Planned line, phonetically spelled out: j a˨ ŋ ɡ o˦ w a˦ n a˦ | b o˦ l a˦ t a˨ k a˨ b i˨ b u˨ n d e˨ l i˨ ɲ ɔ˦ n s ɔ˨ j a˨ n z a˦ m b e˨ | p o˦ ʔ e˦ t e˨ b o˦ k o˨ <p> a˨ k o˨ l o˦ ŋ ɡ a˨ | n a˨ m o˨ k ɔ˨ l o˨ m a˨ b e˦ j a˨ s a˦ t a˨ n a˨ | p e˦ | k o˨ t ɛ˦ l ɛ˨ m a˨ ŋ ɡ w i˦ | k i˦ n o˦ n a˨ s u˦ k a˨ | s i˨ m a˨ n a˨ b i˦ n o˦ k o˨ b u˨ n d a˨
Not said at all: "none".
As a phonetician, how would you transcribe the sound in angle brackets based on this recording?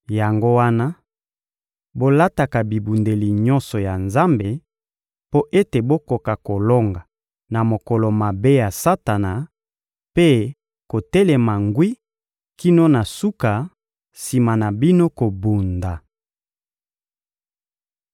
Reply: k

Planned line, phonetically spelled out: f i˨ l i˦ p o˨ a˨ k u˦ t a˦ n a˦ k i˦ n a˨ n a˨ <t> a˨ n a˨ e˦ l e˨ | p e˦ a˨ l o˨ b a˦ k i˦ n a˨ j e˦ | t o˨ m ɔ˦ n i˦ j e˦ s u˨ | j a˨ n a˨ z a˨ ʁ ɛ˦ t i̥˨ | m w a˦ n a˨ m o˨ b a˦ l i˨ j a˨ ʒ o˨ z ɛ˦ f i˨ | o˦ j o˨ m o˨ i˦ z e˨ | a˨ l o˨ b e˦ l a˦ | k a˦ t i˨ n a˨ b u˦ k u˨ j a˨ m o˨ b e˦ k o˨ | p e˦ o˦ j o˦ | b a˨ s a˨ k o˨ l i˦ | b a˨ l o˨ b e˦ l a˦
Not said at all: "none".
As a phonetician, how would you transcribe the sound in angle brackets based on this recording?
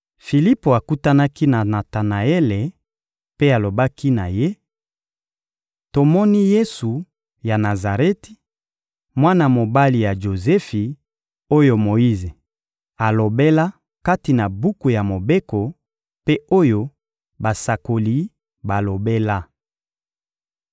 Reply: t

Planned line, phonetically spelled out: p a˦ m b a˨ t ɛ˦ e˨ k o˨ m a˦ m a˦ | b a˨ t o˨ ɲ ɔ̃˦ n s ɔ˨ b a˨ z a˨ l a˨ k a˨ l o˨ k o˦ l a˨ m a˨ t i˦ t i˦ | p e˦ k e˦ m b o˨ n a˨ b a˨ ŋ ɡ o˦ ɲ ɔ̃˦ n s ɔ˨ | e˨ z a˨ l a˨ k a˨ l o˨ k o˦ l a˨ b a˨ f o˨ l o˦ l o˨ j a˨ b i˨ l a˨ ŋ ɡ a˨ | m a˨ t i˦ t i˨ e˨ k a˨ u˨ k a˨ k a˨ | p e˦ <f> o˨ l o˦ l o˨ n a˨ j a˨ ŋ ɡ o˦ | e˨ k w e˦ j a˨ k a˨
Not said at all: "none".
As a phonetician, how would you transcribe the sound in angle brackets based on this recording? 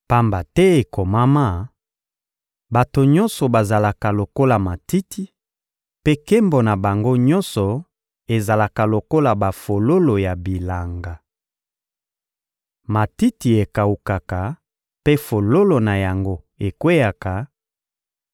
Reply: f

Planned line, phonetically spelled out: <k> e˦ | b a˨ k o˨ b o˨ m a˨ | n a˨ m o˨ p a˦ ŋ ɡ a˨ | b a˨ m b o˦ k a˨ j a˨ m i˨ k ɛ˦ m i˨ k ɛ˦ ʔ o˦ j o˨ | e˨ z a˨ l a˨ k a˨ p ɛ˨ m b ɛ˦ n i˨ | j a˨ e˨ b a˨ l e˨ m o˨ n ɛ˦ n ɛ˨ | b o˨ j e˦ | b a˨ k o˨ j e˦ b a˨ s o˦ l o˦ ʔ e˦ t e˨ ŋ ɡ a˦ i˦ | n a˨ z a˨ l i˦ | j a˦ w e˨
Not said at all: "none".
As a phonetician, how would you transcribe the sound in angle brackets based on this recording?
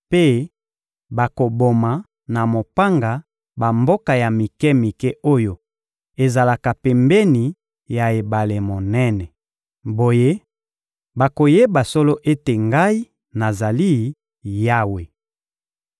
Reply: p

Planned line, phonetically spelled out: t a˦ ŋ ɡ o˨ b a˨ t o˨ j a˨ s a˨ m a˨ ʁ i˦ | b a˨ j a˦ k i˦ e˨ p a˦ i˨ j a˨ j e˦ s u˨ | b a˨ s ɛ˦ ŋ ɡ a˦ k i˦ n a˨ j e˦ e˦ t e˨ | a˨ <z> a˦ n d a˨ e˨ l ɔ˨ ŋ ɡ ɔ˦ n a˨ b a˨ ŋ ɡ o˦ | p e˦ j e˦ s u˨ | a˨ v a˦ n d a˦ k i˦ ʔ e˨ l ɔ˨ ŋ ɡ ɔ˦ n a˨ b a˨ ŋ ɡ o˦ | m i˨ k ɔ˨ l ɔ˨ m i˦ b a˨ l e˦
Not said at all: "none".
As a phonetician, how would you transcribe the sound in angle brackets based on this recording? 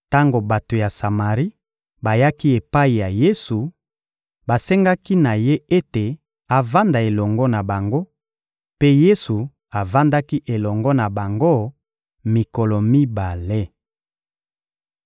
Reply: v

